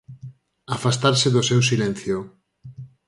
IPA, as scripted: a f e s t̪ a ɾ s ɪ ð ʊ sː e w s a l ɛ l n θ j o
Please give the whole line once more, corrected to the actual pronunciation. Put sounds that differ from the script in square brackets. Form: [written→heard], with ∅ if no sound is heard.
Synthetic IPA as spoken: a f [e→a] s t̪ a ɾ s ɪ ð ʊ [sː→s] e w s [a→i] l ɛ [l→∅] n θ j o